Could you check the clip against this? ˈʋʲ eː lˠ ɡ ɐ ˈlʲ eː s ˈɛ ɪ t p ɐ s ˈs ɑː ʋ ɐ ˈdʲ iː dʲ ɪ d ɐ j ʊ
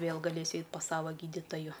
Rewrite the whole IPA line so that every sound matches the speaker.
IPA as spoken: ˈʋʲ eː lˠ ɡ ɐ ˈlʲ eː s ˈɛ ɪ t p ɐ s ˈs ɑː ʋ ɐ ˈɡʲ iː dʲ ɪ t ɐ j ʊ